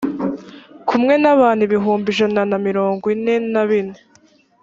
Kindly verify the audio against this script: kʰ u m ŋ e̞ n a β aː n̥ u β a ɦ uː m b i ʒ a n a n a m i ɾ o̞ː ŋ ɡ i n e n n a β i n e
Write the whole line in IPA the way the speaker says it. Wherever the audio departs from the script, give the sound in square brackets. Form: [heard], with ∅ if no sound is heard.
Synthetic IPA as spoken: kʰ u m ŋ e̞ n a β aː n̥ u β [i] ɦ uː m b i ʒ a n a n a m i ɾ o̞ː ŋ ɡ i n e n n a β i n e

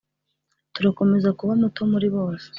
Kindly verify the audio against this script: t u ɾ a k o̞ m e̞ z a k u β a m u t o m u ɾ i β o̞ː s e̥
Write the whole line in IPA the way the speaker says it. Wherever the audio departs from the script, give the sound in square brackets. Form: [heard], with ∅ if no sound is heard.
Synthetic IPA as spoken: t u ɾ a k o̞ m e̞ z a k u β a m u t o m u ɾ i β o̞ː s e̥

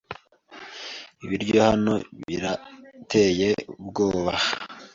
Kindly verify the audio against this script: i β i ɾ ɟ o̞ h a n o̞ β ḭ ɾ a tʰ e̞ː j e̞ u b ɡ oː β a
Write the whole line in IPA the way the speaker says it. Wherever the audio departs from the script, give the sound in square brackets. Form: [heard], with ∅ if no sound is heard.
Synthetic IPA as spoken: i β i ɾ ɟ o̞ h a n o̞ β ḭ ɾ a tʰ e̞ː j e̞ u b ɡ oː β a

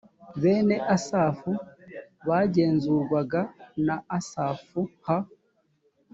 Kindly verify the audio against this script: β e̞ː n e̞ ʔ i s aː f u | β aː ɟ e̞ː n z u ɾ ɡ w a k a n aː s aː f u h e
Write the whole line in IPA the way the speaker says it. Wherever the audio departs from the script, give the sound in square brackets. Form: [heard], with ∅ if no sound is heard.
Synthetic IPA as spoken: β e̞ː n e̞ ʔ [a] s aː f u | β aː ɟ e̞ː n z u ɾ ɡ w a [ɡ] a n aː s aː f u h [a]

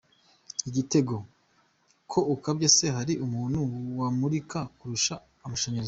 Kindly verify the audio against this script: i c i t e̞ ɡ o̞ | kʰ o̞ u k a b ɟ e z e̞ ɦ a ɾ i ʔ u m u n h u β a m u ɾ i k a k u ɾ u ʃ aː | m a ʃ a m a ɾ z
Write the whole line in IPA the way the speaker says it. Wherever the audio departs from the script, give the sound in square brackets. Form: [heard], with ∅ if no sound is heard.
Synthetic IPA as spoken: i [ɟ] i t e̞ ɡ o̞ | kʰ o̞ u k a b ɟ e [s] e̞ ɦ a ɾ i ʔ u m [uː] n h u [w] a m u ɾ i k a k u ɾ u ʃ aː | m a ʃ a [ɲ] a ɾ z

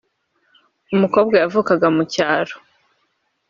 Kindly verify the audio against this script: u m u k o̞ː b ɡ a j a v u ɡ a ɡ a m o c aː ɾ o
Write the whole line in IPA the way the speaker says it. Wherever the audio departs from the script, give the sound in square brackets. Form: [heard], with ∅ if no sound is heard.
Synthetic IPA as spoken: u m u k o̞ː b ɡ a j a v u [k] a ɡ a m [u] c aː ɾ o

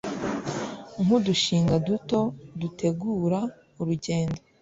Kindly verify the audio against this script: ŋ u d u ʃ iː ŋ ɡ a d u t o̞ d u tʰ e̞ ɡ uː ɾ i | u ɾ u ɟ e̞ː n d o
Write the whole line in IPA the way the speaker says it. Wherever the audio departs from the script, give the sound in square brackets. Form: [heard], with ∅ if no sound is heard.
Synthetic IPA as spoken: ŋ u d u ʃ iː ŋ ɡ a d u t o̞ d u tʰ e̞ ɡ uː ɾ [a] | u ɾ u ɟ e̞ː n d o

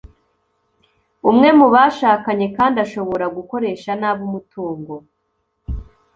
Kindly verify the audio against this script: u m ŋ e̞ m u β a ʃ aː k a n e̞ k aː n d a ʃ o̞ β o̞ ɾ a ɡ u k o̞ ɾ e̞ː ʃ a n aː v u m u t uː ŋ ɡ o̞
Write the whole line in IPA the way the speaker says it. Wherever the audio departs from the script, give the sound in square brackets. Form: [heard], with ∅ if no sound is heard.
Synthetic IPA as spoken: u m ŋ e̞ m u β a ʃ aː k a [ɲ] e̞ k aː n d a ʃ o̞ β o̞ ɾ a ɡ u k o̞ ɾ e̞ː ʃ a n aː [β] u m u t uː ŋ ɡ o̞

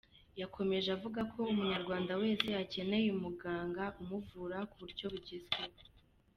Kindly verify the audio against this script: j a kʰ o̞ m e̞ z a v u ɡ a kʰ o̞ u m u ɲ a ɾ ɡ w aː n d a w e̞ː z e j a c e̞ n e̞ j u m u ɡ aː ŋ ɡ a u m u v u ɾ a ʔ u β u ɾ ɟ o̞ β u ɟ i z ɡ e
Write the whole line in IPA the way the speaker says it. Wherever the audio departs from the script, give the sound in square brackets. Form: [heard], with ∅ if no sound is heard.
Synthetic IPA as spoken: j a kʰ o̞ m e̞ [ʒ] a v u ɡ a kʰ o̞ u m u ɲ a ɾ ɡ w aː n d a w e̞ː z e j a c e̞ n e̞ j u m u ɡ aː ŋ ɡ a u m u v u ɾ a [k] u β u ɾ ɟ o̞ β u ɟ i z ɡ e

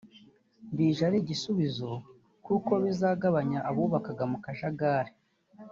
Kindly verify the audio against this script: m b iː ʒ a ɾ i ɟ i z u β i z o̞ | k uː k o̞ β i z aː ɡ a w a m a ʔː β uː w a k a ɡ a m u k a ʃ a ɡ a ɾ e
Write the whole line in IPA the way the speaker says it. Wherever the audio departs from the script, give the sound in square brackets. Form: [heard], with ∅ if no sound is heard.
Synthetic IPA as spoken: m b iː ʒ a ɾ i ɟ i [s] u β i z o̞ | k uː k o̞ β i z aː ɡ a [β] a [ɲ] a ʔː β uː [β] a k a ɡ a m u k a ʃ a ɡ a ɾ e

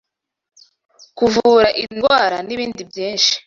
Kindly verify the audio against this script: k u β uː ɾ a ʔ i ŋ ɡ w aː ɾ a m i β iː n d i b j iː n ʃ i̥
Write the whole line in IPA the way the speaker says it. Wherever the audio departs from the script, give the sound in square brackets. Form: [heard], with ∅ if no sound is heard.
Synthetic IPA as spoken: k u [v] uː ɾ a ʔ i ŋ ɡ w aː ɾ a [n] i β iː n d i b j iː n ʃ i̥

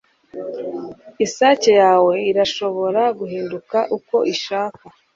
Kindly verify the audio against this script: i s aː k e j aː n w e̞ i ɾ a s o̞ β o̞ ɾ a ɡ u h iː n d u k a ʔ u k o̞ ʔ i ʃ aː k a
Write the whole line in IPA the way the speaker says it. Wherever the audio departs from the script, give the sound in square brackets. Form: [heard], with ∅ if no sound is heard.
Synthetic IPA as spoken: i s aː [c] e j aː [∅] w e̞ i ɾ a [ʃ] o̞ β o̞ ɾ a ɡ u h iː n d u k a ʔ u k o̞ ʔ i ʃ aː k a

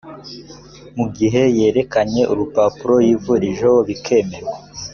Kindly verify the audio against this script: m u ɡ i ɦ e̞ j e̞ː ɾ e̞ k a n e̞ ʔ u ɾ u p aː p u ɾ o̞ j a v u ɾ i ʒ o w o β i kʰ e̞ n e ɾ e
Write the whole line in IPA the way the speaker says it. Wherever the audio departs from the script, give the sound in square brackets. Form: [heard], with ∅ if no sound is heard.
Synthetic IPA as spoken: m u ɡ i ɦ e̞ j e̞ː ɾ e̞ k a [ɲ] e̞ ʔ u ɾ u p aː p u ɾ o̞ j [i] v u ɾ i ʒ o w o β i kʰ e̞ [m] e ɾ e

